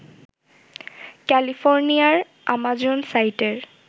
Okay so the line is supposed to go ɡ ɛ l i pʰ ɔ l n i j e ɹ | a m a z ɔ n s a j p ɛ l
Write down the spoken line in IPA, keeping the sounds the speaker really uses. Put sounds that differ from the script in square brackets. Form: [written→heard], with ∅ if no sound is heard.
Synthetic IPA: [ɡ→k] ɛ l i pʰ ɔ [l→ɹ] n i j [e→a] ɹ | a m a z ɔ n s a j [p→t] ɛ [l→ɹ]